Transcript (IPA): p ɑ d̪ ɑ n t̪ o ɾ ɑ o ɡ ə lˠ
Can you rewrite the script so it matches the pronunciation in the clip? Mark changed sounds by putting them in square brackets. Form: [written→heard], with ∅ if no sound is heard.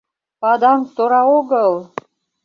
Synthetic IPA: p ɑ d̪ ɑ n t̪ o ɾ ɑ o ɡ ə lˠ